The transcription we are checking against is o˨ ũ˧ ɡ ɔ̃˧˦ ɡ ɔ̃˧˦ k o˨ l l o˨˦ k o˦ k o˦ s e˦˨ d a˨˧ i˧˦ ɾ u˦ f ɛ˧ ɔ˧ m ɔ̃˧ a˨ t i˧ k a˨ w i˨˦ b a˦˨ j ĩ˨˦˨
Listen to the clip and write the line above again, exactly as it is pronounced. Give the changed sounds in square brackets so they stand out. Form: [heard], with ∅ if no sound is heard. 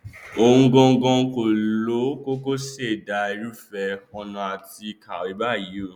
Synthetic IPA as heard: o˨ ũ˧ ɡ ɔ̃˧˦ ɡ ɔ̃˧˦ k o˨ l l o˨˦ k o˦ k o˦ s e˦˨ d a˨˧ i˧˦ ɾ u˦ f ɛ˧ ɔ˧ [n] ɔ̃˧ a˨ t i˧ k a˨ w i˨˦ b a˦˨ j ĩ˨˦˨